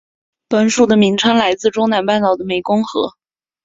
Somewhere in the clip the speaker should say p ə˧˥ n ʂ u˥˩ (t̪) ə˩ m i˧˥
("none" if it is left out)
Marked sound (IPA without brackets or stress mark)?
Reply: d̪